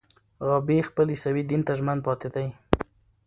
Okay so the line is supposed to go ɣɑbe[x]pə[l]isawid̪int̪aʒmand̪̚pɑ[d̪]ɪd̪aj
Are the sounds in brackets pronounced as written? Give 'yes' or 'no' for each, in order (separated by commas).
yes, yes, no